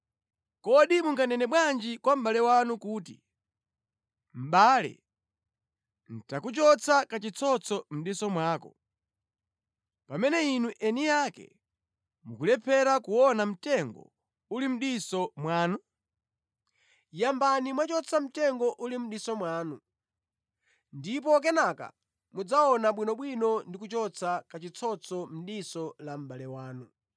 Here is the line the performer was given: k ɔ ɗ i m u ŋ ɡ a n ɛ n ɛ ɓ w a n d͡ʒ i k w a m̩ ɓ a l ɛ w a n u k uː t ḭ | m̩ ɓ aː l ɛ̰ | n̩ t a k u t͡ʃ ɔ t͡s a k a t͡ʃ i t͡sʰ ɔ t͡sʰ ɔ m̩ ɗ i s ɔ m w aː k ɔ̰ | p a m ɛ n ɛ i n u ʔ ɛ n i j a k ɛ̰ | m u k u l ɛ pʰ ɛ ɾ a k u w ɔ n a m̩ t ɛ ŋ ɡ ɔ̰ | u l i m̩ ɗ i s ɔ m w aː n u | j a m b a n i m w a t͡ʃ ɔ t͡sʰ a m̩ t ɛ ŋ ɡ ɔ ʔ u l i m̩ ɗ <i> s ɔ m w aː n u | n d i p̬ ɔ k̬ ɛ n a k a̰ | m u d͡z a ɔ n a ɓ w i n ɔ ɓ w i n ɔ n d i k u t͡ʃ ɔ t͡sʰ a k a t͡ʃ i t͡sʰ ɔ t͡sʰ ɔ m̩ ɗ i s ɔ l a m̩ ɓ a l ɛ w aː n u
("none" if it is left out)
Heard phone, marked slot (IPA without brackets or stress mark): i